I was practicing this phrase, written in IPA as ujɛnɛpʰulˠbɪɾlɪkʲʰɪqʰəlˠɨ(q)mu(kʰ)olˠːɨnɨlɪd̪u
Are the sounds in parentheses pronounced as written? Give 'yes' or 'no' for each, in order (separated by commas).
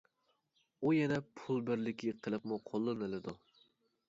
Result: no, no